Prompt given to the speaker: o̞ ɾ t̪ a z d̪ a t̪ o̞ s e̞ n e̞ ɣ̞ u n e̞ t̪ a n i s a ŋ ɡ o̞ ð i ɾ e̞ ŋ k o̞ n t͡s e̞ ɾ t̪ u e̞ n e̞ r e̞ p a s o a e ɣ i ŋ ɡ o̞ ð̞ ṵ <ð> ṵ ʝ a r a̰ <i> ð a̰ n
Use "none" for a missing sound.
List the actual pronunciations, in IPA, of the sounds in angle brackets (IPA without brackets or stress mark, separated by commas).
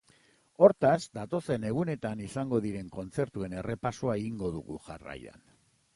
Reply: ɣ, j